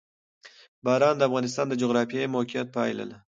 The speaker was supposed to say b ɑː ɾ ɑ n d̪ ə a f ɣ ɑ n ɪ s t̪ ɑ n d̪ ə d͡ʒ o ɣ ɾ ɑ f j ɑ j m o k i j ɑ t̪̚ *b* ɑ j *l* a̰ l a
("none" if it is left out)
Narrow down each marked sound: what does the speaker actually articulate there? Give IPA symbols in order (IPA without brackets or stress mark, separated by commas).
p, l